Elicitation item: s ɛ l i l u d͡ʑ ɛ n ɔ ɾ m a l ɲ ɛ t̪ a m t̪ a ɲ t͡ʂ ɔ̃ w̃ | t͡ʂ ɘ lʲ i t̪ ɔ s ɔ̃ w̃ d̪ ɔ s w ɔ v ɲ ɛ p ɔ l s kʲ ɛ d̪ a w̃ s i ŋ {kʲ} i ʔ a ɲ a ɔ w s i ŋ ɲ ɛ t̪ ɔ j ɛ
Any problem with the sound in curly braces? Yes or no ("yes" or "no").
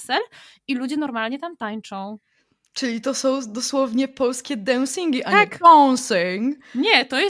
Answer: yes